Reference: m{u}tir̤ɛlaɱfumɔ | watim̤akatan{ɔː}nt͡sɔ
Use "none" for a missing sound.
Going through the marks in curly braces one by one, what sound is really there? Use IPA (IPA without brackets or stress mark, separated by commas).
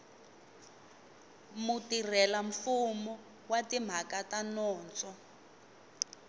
u, ɔː